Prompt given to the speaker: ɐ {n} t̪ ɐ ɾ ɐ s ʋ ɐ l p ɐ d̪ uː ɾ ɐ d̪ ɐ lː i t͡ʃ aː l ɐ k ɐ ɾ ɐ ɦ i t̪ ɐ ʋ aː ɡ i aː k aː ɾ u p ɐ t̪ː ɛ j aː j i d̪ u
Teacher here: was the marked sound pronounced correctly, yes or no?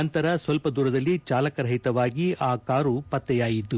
yes